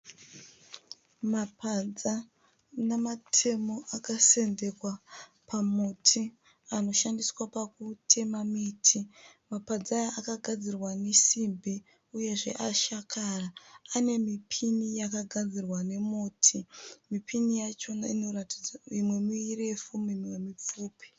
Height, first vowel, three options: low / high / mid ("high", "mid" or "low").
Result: low